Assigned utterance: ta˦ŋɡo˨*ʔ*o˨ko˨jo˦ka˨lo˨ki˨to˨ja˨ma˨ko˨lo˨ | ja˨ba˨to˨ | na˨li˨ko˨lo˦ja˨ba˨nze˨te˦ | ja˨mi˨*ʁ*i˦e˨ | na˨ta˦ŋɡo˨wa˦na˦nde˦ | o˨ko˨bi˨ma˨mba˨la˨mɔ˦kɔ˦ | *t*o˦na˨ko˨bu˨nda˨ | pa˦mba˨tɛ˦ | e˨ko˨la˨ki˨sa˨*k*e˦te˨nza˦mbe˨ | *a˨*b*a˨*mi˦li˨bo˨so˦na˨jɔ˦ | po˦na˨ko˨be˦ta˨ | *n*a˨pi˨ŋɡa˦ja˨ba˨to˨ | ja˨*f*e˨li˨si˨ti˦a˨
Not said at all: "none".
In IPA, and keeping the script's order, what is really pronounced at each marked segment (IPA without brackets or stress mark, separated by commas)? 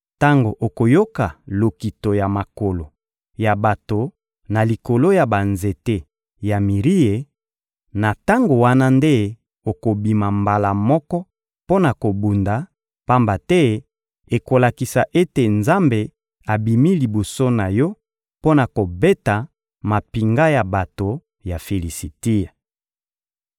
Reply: ʔ, ʁ, p, ʔ, a˨, i˨, m, f